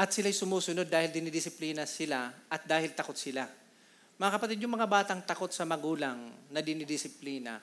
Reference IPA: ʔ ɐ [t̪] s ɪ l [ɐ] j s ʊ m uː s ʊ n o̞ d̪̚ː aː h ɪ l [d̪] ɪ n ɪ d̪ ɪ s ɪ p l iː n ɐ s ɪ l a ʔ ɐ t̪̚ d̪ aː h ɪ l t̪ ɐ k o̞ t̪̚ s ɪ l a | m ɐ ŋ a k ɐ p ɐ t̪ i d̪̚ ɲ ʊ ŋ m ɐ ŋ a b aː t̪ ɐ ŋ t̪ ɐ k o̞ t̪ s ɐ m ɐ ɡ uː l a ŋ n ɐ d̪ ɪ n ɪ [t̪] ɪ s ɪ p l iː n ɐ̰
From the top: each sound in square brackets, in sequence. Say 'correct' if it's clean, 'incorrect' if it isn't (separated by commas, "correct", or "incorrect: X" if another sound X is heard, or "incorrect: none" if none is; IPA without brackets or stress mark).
correct, incorrect: a, correct, incorrect: d̪